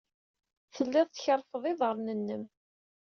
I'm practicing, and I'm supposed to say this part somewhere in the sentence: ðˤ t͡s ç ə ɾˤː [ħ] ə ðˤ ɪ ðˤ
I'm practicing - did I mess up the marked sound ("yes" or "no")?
yes